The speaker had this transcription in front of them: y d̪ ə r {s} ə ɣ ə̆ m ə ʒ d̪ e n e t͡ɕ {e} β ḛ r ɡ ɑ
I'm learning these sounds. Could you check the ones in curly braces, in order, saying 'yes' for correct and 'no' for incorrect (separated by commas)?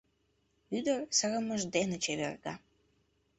yes, yes